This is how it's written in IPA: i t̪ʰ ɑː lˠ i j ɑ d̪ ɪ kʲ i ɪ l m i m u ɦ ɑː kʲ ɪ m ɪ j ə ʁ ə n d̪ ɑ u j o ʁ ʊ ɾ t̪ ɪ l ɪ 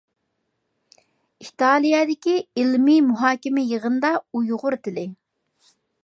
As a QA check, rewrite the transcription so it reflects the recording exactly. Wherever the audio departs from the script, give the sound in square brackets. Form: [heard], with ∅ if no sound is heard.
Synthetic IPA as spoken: i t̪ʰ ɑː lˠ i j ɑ d̪ ɪ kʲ i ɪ l m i m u ɦ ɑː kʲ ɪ m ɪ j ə ʁ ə n d̪ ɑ u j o ʁ ʊ ɾ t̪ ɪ l ɪ